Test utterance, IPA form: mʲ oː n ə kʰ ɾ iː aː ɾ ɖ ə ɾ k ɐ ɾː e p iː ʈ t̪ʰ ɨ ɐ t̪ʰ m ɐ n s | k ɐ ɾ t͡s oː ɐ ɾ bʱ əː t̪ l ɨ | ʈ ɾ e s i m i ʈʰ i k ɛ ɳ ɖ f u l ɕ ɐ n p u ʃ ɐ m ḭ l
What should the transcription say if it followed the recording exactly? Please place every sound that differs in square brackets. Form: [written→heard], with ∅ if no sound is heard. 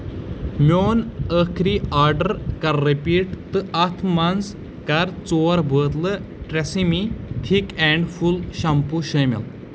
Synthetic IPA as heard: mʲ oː n ə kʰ ɾ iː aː ɾ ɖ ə ɾ k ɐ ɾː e p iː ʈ [t̪ʰ→t̪] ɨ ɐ t̪ʰ m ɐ n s | k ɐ ɾ t͡s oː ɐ ɾ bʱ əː t̪ l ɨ | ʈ ɾ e s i m i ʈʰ i k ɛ ɳ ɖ f u l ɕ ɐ [n→m] p u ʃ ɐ m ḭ l